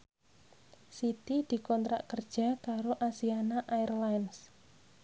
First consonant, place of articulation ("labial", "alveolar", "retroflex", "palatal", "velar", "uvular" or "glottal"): alveolar